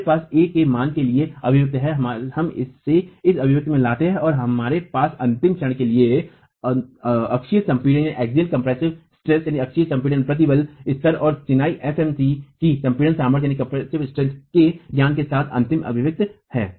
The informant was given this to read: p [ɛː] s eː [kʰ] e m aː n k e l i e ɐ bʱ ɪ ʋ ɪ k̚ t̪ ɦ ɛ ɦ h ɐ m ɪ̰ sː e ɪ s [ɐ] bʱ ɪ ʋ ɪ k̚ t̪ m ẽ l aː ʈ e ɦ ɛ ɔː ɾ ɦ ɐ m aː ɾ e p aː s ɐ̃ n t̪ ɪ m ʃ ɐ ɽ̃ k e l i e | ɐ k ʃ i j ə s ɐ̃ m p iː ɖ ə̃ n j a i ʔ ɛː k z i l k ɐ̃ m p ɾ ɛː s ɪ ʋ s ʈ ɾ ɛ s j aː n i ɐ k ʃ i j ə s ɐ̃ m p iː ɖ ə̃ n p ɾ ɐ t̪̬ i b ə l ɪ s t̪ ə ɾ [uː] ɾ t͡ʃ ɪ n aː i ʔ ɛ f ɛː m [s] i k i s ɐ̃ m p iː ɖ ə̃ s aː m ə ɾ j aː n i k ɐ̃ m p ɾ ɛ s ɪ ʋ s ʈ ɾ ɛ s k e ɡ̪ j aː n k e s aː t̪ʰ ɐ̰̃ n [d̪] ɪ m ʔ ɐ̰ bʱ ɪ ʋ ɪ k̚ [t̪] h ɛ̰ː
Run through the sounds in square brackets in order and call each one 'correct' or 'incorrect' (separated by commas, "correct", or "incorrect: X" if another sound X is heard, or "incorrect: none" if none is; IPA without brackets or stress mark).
incorrect: aː, incorrect: k, correct, incorrect: ɔː, correct, incorrect: t̪, correct